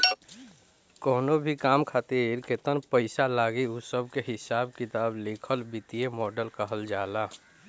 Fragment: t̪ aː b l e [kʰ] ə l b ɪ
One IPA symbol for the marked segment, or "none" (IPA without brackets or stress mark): kʰ